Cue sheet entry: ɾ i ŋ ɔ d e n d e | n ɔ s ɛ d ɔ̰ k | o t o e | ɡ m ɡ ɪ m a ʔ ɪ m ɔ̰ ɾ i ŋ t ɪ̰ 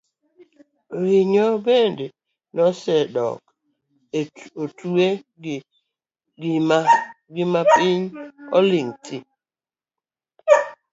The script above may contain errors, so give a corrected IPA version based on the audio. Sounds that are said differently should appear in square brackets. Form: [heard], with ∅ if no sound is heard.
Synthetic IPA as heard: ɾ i [ɲ] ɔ [b] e n d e | n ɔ s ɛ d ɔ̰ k | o t [u] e | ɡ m ɡ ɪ m a [p] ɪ [ɲ] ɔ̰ [l] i ŋ t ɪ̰